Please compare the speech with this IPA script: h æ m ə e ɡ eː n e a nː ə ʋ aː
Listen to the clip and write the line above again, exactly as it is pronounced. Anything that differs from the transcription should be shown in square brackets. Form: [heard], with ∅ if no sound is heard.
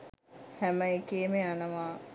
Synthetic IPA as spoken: h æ m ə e [k] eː [m] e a [n] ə ʋ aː